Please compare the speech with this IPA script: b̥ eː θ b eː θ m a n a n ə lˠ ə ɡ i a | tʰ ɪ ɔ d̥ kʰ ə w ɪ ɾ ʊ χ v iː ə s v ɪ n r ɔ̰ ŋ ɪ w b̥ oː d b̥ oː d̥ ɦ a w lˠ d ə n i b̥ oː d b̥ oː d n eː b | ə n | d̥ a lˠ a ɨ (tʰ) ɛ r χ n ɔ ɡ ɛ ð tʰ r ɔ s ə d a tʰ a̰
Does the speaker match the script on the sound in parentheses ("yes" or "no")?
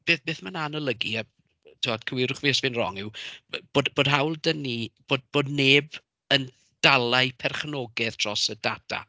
no